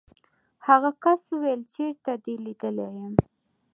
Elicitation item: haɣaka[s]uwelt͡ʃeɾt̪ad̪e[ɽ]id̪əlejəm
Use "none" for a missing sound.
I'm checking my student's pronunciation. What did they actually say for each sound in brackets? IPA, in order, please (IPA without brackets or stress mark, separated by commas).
s, l